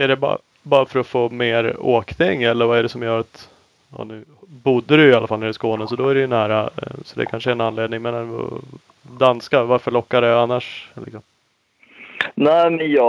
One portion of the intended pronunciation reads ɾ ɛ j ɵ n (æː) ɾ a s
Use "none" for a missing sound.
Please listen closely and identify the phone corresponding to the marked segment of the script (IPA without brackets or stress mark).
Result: æː